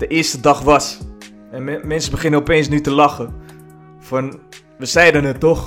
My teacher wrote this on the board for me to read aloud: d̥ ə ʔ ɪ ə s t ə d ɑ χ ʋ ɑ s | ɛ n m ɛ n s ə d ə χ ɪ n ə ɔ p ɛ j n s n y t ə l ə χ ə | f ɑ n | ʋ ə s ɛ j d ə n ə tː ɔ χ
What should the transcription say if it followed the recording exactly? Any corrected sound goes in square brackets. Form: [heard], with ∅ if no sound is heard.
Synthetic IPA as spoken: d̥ ə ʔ ɪ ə s t ə d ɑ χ ʋ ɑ s | ɛ n m ɛ n s ə [b] ə χ ɪ n ə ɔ p [e] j n s n y t ə l [ɑ] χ ə | f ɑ n | ʋ ə s ɛ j d ə n ə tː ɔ χ